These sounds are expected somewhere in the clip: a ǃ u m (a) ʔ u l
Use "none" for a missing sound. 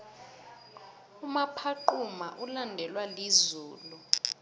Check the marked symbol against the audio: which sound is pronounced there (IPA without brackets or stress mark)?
a